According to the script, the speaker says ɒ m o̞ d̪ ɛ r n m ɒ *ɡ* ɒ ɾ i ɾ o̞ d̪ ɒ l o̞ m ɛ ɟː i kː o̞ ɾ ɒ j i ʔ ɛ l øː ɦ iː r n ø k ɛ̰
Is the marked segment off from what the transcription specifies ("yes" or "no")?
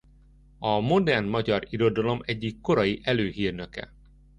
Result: yes